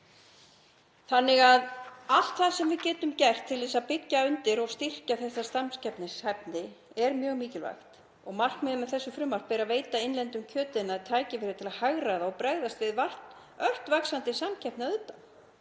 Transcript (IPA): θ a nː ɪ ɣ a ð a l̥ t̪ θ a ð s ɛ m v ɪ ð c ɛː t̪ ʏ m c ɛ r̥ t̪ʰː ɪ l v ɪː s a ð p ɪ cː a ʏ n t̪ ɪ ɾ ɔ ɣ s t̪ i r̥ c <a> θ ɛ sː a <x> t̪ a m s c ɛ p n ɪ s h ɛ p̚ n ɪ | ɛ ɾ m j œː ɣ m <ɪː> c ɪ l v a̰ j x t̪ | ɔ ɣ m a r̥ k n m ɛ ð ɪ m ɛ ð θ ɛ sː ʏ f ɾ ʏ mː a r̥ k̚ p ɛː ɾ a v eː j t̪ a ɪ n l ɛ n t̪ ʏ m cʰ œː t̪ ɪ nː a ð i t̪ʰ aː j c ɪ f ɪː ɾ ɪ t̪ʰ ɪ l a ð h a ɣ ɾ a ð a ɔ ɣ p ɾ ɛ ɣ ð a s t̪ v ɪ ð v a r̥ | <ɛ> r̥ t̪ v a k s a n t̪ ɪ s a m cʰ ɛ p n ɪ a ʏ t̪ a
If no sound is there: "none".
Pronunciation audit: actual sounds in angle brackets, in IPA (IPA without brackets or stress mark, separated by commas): a, s, iː, œ